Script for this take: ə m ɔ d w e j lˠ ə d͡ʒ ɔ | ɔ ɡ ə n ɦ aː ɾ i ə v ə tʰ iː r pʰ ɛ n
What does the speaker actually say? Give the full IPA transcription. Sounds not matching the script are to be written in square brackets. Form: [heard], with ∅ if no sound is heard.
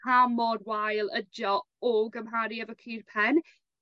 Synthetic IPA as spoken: [a] m ɔ d w [a] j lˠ ə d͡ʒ ɔ | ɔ ɡ ə [m] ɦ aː ɾ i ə v ə [kʰ] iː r pʰ ɛ n